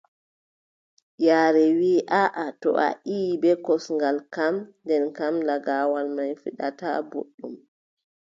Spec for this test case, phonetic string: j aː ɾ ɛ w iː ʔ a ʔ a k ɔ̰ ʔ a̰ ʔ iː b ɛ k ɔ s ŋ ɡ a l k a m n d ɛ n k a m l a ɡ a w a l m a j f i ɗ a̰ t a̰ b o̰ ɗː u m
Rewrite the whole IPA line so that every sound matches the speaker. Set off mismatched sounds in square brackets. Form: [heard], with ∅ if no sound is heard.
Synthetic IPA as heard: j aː ɾ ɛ w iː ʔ a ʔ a [t] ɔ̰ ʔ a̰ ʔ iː b ɛ k ɔ s ŋ ɡ a l k a m n d ɛ n k a m l a ɡ a w a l m a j f i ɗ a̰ t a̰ b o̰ ɗː u m